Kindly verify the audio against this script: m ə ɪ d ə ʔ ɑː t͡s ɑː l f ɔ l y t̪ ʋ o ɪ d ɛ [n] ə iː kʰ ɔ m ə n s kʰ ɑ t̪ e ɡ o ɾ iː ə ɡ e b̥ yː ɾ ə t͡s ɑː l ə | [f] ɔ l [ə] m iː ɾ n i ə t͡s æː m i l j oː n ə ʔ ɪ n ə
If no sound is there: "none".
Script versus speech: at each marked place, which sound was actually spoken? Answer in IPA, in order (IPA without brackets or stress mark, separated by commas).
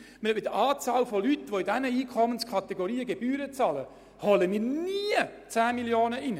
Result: n, h, ə